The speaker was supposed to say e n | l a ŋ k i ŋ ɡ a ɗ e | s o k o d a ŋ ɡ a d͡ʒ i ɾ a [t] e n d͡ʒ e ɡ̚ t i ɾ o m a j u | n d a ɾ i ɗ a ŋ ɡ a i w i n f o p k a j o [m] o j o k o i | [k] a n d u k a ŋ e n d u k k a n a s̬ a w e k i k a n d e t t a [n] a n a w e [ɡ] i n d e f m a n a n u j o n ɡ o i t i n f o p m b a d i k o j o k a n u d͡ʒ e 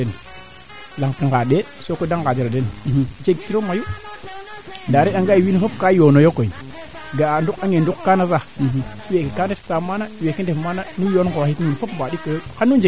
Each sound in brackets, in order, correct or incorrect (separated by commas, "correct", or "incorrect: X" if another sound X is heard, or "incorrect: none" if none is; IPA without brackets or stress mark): incorrect: d, incorrect: n, incorrect: ɡ, incorrect: m, incorrect: k